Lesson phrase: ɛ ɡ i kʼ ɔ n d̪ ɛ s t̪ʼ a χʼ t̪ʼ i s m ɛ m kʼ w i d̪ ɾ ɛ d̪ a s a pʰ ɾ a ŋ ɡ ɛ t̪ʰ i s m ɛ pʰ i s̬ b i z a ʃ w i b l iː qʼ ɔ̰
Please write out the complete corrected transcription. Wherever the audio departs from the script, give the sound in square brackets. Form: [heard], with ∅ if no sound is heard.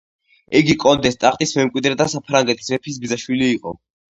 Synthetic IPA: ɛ ɡ i kʼ ɔ n d̪ ɛ s t̪ʼ a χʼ t̪ʼ i s m ɛ m kʼ w i d̪ ɾ ɛ d̪ a s a pʰ ɾ a ŋ ɡ ɛ t̪ʰ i s m ɛ pʰ i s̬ b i z a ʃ w i [∅] l iː qʼ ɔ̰